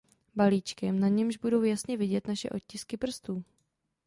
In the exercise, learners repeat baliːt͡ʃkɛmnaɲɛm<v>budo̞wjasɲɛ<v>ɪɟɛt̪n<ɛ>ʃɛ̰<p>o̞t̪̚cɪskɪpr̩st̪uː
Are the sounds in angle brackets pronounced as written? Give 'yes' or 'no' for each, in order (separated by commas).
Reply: no, yes, no, no